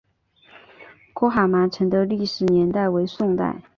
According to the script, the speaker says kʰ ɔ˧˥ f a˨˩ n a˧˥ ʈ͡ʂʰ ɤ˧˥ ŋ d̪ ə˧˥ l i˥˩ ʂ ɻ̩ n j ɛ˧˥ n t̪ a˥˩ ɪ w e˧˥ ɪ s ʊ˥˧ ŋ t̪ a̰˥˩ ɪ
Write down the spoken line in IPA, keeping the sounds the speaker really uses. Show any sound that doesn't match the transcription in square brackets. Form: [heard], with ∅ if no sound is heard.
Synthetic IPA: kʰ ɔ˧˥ [x] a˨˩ [m] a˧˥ ʈ͡ʂʰ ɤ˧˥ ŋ d̪ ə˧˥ l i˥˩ ʂ ɻ̩ n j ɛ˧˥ n t̪ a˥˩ ɪ w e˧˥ ɪ s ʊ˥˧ ŋ t̪ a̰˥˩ ɪ